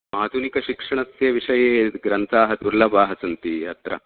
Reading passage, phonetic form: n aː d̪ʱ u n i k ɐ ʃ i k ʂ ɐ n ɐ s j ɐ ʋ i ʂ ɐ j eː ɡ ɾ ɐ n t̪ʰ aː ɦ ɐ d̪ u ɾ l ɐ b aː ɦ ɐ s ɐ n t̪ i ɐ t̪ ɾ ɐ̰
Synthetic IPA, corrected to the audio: m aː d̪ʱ u n i k ɐ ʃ i k ʂ ɐ ɳ ɐ s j ɐ ʋ i ʂ ɐ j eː ɡ ɾ ɐ n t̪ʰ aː ɦ ɐ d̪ u ɾ l ɐ b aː ɦ ɐ s ɐ n t̪ i ɐ t̪ ɾ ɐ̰